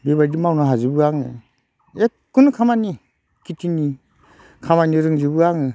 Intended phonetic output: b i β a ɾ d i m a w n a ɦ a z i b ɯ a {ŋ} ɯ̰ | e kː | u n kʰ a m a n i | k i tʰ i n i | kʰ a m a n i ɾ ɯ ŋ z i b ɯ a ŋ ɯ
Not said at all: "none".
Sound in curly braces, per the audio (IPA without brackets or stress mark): ŋ